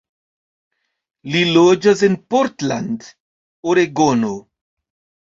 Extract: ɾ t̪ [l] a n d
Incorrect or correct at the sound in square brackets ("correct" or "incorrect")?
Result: correct